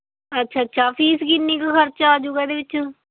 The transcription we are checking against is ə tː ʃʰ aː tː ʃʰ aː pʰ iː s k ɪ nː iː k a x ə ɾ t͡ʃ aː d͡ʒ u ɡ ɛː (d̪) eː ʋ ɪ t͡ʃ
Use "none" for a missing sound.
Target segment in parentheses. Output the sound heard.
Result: d̪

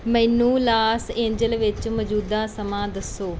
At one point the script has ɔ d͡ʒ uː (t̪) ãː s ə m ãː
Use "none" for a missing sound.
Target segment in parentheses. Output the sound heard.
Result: d̪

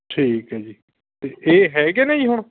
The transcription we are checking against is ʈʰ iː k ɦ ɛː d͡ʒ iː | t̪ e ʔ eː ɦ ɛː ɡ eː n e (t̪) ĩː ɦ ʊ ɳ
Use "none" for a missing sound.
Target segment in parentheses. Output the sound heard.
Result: none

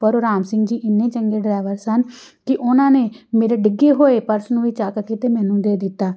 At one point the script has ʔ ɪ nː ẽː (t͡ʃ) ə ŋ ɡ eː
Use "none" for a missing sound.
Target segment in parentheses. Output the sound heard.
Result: t͡ʃ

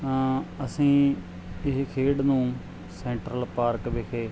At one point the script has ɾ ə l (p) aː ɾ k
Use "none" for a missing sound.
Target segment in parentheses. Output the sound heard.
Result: p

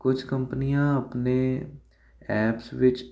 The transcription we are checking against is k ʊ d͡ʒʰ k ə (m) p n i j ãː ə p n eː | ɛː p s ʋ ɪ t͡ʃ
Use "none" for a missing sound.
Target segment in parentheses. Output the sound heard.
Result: m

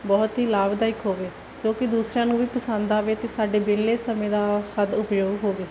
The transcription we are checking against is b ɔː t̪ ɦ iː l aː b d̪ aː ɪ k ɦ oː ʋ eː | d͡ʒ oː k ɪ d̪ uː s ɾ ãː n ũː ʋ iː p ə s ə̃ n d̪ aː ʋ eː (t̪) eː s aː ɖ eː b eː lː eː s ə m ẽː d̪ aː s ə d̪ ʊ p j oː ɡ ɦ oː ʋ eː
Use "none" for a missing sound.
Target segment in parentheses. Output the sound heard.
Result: t̪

